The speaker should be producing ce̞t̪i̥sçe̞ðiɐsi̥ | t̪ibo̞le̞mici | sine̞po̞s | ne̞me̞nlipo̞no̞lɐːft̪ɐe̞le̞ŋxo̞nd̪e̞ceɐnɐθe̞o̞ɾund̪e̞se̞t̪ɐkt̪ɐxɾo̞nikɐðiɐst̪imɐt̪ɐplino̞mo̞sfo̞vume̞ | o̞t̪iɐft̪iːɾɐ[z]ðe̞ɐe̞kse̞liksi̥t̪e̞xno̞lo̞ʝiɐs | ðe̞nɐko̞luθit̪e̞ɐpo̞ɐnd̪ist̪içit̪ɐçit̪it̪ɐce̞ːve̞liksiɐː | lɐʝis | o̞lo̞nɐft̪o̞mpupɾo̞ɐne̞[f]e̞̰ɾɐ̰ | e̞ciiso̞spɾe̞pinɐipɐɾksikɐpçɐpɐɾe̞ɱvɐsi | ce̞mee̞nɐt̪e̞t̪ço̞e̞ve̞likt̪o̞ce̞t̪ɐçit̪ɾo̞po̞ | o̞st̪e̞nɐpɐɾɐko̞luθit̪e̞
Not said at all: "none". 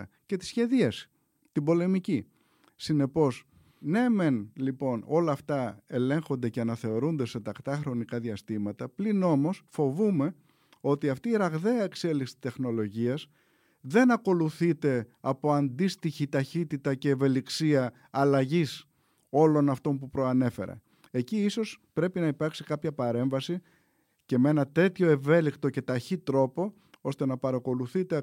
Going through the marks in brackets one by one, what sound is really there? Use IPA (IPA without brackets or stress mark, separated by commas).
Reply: ɣ, f